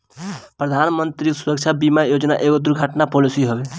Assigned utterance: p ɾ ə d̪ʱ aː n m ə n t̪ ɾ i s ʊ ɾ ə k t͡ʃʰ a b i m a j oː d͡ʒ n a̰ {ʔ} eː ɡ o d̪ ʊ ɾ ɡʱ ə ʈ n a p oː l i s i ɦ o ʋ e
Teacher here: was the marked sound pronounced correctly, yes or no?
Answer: yes